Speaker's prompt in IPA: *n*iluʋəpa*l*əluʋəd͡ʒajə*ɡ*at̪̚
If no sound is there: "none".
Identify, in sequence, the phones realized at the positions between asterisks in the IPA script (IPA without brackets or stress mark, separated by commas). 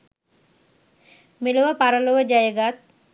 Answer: m, ɾ, ɡ